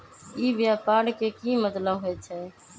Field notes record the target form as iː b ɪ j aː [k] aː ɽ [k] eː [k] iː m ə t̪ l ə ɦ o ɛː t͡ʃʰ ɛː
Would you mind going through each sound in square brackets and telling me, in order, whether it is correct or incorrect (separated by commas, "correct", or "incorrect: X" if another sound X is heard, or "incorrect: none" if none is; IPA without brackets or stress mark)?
incorrect: p, correct, correct